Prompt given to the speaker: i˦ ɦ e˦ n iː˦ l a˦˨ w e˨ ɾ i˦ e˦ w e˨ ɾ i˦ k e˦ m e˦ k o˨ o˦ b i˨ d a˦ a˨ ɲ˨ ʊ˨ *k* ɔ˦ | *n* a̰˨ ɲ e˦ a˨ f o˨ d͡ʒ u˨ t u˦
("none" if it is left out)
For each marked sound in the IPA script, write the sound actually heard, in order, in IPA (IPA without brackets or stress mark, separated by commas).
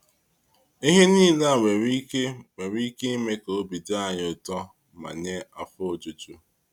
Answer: t, m